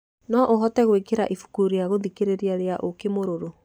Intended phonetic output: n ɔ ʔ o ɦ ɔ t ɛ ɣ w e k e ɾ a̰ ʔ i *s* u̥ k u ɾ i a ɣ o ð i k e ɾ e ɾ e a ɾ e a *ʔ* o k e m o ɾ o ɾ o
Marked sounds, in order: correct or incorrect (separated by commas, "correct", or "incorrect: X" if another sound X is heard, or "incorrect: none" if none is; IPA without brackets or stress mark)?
incorrect: f, correct